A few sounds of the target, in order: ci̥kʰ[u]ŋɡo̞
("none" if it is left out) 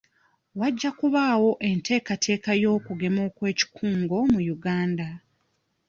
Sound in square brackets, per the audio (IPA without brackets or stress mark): uː